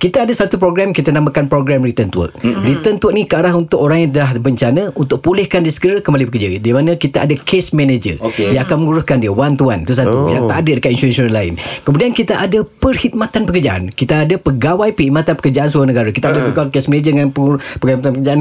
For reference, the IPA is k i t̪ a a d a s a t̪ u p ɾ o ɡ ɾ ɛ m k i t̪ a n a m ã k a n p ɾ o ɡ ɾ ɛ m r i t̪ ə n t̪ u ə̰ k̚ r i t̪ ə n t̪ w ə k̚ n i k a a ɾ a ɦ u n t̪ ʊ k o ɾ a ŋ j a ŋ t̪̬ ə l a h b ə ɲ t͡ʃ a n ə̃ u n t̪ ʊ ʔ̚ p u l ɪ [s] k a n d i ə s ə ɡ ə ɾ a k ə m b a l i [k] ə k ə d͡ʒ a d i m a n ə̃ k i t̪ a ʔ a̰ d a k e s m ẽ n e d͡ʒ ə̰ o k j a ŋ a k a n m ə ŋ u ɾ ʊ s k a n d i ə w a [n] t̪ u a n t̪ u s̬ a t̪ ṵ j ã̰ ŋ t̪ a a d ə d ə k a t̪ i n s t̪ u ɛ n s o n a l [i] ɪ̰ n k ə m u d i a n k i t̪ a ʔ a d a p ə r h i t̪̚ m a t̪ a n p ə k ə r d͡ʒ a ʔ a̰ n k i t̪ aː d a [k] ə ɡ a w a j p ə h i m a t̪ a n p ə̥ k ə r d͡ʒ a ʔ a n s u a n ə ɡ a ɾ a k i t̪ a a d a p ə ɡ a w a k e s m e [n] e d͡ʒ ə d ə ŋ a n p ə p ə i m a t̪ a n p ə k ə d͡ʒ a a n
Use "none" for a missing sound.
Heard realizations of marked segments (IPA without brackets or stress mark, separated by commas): h, p, n, a, p, n